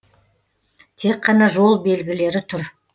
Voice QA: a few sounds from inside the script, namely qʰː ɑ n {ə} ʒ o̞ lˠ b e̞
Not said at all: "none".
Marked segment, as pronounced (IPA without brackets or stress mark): ɑ